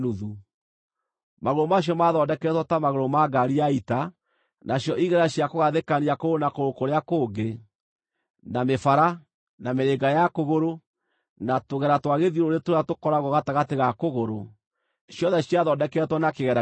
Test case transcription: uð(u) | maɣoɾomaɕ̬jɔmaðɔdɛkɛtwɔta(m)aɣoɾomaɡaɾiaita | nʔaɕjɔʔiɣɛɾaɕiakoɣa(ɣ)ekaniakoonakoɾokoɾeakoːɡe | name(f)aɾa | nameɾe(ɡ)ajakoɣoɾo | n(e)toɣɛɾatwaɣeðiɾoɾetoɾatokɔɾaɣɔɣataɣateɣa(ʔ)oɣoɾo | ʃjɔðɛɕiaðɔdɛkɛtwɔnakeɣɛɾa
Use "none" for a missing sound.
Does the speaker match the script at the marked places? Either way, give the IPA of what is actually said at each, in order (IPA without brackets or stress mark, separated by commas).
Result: u, m, ð, f, ɡ, a, k